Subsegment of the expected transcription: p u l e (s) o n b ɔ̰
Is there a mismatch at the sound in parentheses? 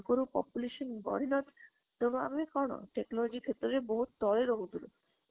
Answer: yes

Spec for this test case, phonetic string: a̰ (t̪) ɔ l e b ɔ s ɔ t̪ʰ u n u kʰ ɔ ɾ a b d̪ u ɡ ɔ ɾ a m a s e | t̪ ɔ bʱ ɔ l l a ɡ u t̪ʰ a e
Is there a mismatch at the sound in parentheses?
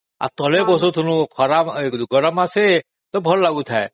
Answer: no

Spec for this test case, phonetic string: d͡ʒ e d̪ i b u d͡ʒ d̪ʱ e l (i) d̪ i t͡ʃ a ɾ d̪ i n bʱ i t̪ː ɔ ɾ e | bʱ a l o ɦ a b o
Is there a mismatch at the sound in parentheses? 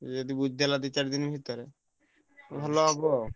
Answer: yes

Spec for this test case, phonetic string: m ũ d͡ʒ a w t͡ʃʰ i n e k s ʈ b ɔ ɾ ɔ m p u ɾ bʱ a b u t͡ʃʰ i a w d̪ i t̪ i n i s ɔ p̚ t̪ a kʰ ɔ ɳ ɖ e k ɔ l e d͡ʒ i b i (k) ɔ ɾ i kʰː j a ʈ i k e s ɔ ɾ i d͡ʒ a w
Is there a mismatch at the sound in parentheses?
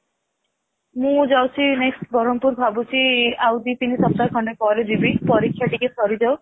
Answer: yes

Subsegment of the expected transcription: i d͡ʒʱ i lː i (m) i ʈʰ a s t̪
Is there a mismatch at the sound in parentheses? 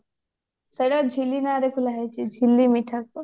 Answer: no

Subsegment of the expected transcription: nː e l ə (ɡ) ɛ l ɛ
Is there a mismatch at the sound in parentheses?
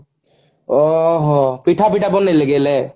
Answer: no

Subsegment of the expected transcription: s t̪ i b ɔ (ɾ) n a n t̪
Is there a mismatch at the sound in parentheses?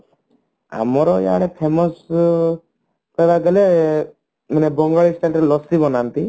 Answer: yes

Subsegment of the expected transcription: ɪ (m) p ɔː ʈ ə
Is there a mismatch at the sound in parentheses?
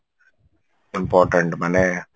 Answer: no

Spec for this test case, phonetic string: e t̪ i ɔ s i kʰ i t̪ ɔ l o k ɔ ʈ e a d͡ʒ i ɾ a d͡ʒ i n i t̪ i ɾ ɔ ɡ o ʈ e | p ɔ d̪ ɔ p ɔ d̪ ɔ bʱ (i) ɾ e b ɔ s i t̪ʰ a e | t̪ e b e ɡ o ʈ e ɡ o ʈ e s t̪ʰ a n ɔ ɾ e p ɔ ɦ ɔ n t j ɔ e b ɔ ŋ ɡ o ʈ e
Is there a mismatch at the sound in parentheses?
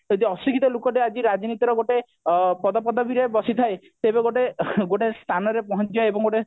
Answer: no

